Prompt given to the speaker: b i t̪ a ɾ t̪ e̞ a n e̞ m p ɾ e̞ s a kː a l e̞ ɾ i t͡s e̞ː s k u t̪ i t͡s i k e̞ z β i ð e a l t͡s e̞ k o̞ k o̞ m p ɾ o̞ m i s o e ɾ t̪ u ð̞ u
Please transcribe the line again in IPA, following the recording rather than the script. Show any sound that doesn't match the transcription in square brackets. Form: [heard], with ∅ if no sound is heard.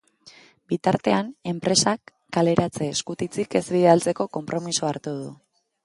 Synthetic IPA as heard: b i t̪ a ɾ t̪ e̞ a n e̞ m p ɾ e̞ s a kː a l e̞ ɾ [a] t͡s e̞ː s k u t̪ i t͡s i k e̞ z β i ð e a l t͡s e̞ k o̞ k o̞ m p ɾ o̞ m i s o [a] ɾ t̪ u ð̞ u